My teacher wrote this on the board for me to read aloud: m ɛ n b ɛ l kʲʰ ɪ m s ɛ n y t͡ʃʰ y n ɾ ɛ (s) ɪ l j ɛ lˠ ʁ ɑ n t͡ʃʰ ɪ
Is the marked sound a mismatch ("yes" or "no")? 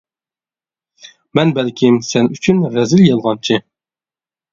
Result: yes